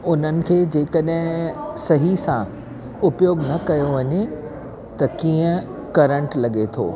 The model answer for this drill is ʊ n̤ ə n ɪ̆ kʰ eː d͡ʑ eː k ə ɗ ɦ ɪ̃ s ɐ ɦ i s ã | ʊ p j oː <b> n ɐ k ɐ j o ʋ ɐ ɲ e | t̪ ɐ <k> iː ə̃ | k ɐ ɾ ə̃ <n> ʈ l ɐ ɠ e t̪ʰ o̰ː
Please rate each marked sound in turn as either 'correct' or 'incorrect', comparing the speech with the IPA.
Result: incorrect: ɡ, correct, incorrect: ɳ

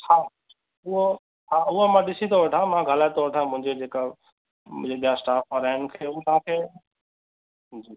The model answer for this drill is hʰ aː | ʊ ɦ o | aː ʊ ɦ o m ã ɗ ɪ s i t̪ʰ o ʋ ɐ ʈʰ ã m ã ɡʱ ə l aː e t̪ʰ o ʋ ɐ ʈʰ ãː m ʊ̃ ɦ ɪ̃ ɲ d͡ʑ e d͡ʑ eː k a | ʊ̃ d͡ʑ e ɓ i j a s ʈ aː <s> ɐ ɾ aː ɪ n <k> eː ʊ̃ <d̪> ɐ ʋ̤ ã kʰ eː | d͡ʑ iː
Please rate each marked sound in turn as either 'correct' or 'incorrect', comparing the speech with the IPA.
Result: incorrect: f, incorrect: kʰ, incorrect: t̪

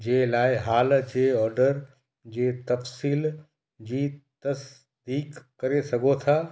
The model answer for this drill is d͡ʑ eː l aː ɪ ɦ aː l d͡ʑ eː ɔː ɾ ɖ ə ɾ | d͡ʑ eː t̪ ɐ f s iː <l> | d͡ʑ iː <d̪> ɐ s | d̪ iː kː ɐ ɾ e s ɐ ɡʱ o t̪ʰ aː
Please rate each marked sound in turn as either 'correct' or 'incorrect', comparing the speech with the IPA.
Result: correct, incorrect: t̪

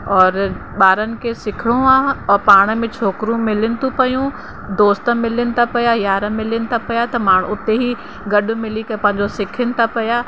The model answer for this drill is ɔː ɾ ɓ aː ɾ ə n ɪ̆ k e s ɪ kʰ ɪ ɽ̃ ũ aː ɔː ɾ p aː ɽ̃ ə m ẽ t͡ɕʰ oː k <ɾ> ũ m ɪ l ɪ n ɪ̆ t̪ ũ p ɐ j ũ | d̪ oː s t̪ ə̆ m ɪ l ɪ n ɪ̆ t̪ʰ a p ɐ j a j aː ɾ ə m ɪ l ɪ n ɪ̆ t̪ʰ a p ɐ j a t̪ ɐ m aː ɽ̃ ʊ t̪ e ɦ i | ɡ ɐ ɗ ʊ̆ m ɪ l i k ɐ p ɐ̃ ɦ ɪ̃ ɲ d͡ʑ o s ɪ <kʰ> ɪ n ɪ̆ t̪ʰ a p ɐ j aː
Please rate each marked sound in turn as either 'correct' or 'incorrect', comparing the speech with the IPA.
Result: correct, correct

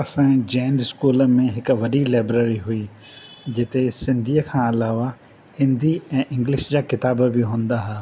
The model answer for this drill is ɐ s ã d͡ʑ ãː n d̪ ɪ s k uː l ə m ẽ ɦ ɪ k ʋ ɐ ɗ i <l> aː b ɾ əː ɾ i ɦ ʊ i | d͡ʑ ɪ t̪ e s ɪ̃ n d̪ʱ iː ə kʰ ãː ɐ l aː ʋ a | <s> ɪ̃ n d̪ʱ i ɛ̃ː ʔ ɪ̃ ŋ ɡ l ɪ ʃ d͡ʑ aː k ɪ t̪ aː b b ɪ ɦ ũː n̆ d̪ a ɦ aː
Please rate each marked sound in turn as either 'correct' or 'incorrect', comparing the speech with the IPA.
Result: correct, incorrect: h

